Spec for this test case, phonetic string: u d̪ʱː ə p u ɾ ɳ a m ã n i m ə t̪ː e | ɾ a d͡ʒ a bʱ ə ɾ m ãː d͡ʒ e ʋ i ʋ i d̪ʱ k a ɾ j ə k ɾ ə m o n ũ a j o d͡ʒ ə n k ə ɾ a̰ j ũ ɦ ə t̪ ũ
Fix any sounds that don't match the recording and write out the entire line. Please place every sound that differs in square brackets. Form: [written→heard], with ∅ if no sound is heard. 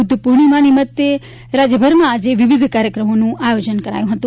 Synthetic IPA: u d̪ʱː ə p u ɾ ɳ [a→i] m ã n i m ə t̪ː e | ɾ a d͡ʒ [a→ə] bʱ ə ɾ m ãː d͡ʒ e ʋ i ʋ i d̪ʱ k a ɾ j ə k ɾ ə m o n ũ a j o d͡ʒ ə n k ə ɾ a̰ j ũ ɦ ə t̪ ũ